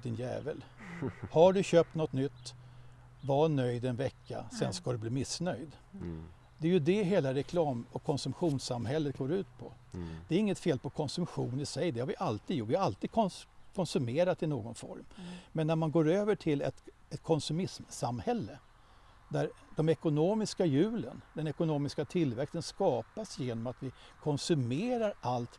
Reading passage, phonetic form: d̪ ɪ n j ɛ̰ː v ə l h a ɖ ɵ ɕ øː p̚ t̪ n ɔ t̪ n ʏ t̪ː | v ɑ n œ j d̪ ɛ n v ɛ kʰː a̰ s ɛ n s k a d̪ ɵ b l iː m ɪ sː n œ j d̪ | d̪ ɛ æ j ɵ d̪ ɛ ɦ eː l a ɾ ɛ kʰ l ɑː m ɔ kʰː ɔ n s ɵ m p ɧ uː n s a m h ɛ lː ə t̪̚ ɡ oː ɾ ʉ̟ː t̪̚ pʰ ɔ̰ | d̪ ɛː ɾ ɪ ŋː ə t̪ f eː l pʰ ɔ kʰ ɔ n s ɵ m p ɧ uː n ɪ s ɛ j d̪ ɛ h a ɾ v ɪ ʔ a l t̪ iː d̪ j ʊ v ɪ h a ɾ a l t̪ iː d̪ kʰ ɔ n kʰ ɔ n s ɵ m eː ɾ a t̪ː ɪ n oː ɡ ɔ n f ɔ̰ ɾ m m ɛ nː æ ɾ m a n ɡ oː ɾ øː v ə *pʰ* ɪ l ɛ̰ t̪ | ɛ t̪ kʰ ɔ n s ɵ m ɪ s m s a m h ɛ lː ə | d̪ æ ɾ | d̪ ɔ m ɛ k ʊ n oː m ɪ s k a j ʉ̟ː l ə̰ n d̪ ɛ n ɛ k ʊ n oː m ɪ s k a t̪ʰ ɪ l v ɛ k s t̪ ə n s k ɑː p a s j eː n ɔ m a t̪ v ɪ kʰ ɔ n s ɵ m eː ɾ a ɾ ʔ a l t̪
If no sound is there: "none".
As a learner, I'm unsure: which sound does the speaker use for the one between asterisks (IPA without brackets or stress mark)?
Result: ʈʰ